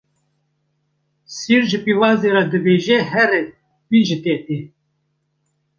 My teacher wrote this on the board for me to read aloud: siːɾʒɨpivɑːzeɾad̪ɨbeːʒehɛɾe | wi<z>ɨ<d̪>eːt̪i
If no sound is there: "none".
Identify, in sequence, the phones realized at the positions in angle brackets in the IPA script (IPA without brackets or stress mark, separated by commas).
ʒ, t̪